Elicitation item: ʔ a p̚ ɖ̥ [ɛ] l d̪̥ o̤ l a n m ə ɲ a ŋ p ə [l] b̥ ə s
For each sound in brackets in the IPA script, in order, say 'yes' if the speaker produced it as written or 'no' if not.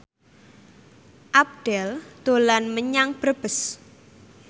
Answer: yes, no

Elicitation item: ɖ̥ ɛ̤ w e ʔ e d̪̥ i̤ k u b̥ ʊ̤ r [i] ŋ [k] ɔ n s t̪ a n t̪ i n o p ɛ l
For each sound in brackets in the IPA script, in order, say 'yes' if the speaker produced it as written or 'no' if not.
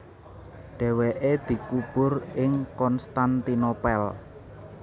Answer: no, yes

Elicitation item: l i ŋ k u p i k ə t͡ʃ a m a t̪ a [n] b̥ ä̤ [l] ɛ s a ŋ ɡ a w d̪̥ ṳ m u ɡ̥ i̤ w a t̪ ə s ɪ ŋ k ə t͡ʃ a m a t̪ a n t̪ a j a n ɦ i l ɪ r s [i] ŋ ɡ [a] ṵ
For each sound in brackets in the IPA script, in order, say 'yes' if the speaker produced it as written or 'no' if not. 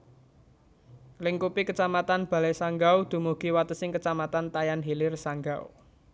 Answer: yes, yes, no, yes

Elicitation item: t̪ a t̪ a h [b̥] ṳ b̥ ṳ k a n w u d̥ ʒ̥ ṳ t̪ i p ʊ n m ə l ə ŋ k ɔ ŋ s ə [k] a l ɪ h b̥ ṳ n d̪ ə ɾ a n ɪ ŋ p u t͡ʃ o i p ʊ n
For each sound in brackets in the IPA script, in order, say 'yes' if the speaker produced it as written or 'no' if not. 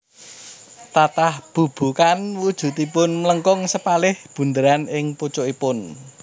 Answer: yes, no

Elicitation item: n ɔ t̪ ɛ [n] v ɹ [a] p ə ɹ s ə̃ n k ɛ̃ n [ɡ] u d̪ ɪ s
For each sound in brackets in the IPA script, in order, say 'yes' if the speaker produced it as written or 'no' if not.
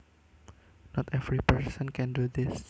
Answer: no, no, no

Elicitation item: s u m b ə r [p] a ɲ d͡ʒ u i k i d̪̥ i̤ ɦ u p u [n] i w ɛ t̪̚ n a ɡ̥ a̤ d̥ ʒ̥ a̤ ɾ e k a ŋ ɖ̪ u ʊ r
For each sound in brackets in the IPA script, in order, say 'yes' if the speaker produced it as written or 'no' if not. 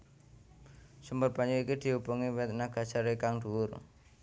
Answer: yes, no

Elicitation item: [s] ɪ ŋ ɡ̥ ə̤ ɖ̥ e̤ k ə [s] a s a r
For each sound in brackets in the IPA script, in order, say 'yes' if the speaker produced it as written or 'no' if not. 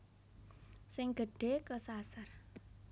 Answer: yes, yes

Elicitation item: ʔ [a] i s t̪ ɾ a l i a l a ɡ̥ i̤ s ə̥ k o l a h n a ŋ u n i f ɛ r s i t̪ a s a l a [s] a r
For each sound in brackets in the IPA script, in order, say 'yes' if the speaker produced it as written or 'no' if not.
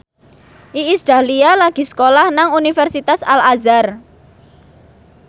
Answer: no, no

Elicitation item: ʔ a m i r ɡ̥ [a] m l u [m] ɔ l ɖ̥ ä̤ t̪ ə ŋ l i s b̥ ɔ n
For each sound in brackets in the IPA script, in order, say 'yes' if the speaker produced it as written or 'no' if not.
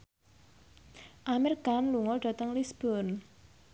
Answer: yes, no

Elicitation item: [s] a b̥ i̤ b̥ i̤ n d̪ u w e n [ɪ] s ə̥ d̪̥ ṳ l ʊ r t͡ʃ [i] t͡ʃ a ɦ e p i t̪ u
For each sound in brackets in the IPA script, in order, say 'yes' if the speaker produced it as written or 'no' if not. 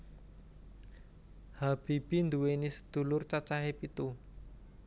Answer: no, no, no

